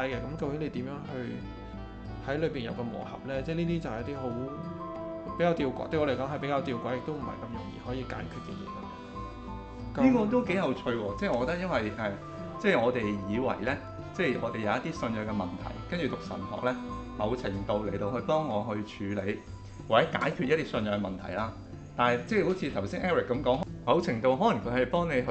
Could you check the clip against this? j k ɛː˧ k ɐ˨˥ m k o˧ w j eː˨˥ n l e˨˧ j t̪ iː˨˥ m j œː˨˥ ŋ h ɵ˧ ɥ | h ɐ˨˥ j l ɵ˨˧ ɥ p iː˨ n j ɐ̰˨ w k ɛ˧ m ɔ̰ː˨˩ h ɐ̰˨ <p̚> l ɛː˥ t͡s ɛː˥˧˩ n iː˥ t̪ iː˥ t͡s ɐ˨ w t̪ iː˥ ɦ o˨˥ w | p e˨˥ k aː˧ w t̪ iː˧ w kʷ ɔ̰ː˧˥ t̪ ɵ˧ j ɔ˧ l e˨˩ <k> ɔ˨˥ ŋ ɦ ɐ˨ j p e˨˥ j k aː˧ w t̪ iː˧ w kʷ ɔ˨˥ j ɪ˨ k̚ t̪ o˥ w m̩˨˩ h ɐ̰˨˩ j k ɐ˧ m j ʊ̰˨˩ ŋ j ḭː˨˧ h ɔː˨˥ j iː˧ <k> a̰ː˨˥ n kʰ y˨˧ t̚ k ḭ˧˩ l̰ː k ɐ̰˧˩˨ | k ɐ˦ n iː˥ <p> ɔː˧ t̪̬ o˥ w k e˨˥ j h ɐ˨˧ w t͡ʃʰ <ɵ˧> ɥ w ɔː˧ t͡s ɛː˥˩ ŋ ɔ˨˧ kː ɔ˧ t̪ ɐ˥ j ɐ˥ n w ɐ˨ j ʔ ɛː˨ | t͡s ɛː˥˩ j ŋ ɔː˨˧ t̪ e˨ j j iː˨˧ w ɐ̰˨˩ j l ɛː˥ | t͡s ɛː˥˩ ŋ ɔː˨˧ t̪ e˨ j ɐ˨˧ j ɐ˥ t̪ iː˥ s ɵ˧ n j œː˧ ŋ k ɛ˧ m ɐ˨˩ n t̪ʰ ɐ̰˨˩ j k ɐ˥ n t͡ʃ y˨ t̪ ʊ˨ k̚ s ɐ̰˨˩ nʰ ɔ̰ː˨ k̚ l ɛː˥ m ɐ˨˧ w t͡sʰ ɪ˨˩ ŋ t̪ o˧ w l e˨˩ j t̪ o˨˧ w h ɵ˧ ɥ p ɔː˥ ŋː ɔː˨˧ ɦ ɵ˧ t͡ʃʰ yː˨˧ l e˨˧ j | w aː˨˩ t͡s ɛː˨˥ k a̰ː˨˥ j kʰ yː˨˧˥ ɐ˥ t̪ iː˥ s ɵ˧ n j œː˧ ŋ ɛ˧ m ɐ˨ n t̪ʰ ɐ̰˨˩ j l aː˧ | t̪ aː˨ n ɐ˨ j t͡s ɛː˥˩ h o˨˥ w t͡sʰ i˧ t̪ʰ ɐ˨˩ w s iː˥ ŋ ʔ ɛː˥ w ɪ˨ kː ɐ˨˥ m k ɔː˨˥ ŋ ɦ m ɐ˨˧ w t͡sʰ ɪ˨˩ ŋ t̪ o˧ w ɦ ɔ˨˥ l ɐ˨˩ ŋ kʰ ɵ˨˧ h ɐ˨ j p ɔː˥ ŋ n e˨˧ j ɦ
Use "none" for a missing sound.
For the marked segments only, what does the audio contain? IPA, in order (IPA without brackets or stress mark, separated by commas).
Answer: p̚, k, k, k, ɵ˧